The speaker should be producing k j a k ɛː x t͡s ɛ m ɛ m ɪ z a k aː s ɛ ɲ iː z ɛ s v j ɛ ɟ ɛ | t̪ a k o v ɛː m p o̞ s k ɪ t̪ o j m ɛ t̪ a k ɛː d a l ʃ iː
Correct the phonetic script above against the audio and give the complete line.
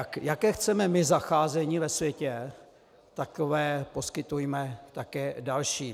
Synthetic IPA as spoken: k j a k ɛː x t͡s ɛ m ɛ m ɪ z a x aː z ɛ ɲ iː v ɛ s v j ɛ c ɛ | t̪ a k o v ɛː p o̞ s k ɪ t̪ u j m ɛ t̪ a k ɛː d a l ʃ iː